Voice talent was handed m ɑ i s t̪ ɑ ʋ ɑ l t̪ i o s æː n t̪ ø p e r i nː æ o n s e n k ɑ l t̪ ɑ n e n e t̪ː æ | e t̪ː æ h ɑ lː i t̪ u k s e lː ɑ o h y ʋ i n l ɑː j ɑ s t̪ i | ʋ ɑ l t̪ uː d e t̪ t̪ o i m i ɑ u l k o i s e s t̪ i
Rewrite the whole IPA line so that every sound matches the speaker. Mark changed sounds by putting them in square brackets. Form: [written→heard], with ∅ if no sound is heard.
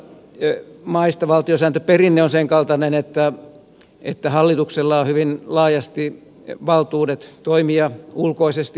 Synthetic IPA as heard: m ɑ i s t̪ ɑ ʋ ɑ l t̪ i o s æː n t̪ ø p e r i nː [æ→e] o n s e [n→ŋ] k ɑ l t̪ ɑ n e n e t̪ː æ | e t̪ː æ h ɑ lː i t̪ u k s e lː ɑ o h y ʋ i n l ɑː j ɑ s t̪ i | ʋ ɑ l t̪ uː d e t̪ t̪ o i m i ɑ u l k o i s e s t̪ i